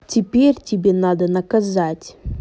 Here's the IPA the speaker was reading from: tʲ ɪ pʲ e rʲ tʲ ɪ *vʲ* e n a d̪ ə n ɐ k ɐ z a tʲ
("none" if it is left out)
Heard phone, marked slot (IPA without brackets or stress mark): bʲ